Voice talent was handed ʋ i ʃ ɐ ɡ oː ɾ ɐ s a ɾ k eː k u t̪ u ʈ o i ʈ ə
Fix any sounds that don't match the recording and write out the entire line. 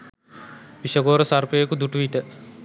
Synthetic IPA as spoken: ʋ i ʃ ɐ ɡ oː ɾ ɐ s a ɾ p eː k u d̪ u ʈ u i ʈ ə